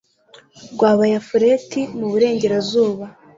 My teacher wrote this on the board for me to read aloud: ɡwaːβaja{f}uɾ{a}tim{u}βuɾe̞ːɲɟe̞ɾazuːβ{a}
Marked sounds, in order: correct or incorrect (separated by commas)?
correct, incorrect, correct, correct